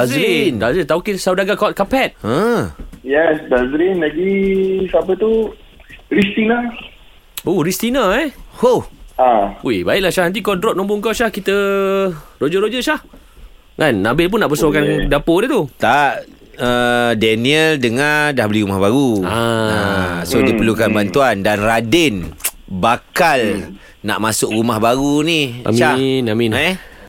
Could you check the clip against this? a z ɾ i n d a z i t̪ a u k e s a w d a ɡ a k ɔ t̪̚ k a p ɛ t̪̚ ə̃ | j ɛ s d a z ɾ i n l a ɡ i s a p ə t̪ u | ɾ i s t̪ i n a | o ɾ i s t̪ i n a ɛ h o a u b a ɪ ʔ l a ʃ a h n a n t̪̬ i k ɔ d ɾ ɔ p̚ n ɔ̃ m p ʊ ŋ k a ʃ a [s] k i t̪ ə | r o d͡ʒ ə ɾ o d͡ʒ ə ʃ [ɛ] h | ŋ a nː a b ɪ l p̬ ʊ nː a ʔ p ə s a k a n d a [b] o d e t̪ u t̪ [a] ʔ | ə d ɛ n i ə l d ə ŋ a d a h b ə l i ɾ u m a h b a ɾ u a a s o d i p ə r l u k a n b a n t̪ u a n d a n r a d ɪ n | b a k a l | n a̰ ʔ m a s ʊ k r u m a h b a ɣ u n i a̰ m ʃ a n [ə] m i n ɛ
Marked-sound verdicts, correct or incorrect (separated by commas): incorrect, incorrect, incorrect, correct, incorrect